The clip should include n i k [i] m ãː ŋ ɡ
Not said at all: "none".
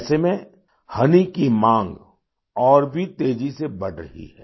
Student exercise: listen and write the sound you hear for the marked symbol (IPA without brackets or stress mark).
i